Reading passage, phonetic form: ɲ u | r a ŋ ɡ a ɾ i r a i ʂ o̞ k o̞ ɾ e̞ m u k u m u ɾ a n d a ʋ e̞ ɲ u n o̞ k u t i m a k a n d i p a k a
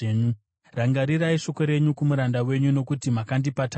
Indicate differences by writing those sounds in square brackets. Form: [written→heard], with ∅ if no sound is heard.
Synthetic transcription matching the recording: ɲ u | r a ŋ ɡ a ɾ i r a i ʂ o̞ k o̞ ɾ e̞ [m→ɲ] u k u m u ɾ a n d a [ʋ→w] e̞ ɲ u n o̞ k u t i m a k a n d i p a [k→t] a